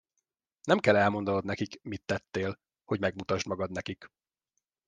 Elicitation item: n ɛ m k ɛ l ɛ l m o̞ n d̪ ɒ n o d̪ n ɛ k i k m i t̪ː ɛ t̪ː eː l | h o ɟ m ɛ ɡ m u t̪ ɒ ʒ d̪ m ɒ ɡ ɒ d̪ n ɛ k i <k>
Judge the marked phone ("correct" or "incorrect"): correct